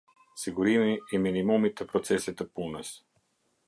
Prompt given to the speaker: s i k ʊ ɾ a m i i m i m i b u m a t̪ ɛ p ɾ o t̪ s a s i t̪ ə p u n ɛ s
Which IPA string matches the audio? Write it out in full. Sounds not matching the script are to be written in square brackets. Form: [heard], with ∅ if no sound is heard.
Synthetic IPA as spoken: s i [ɡ] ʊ ɾ [i] m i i m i [n] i [m] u m [i] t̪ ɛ p ɾ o t̪ s [ɛ] s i t̪ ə p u n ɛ s